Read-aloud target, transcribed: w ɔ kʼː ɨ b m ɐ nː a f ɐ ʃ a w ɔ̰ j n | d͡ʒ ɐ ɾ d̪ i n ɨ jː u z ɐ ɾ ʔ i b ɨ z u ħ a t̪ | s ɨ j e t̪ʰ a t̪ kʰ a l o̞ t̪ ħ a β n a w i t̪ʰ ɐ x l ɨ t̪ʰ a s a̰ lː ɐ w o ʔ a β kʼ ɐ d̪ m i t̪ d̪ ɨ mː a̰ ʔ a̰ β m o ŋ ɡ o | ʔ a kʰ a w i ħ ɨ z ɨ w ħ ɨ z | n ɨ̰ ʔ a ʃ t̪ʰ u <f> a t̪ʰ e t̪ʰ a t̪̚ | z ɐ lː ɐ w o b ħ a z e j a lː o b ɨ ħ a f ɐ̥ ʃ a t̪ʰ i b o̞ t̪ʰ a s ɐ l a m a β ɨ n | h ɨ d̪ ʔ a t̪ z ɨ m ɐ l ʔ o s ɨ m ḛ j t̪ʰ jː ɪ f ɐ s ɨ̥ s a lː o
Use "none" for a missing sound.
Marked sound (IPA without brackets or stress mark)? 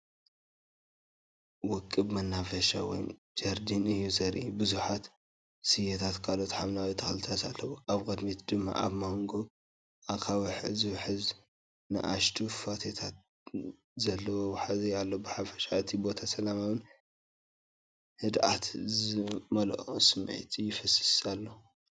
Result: f